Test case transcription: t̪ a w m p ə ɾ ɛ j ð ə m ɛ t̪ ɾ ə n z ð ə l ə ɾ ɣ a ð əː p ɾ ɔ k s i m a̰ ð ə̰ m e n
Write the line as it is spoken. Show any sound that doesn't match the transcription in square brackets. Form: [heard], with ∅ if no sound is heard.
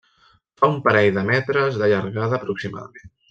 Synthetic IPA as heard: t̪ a [u] m p ə ɾ ɛ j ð ə m ɛ t̪ ɾ ə [∅] z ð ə [ʎ] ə ɾ ɣ a ð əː p ɾ [u] k s i m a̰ ð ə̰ m e n